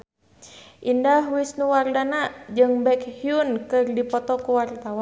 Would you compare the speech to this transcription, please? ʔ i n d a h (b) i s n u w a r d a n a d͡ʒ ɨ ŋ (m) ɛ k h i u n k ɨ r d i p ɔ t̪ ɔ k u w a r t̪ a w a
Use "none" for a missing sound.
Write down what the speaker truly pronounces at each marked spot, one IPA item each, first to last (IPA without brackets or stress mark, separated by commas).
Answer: w, b